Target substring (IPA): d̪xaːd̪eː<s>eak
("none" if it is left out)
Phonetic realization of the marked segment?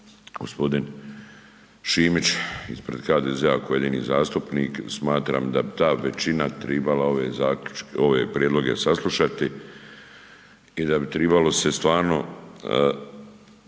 z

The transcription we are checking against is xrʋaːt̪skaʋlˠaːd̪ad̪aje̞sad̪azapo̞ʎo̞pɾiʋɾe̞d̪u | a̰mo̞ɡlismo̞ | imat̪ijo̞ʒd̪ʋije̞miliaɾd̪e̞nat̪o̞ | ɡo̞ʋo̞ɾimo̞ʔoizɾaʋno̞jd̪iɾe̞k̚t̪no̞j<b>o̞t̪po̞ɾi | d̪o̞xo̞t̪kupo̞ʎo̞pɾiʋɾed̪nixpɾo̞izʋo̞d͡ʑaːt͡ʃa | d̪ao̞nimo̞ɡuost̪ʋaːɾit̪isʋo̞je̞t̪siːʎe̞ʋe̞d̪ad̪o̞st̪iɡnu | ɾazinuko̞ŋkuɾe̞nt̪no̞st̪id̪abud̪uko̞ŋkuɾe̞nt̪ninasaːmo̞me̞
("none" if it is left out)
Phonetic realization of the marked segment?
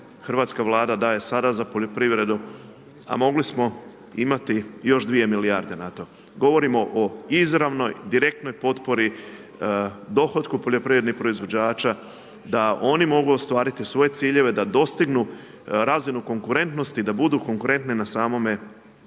p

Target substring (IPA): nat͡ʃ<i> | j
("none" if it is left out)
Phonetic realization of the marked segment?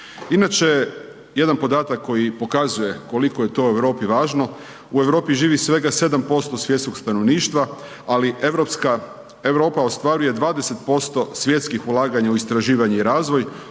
e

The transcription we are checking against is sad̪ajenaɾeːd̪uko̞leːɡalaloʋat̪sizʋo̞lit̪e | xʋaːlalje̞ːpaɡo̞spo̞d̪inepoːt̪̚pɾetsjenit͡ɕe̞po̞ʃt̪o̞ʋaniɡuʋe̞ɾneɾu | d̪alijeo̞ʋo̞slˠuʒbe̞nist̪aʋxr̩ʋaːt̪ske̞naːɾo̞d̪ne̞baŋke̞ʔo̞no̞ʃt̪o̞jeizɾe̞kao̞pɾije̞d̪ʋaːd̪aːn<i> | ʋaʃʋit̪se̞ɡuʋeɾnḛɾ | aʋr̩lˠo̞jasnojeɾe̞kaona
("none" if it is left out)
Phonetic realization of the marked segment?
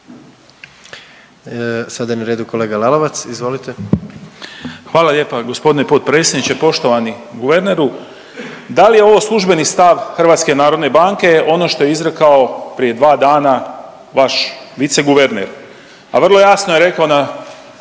a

